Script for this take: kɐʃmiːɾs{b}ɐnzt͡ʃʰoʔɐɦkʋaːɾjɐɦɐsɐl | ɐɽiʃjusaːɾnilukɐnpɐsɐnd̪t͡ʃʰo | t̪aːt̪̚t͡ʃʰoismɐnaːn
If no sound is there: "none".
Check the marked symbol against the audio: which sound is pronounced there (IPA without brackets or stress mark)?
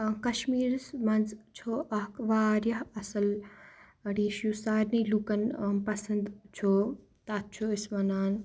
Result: m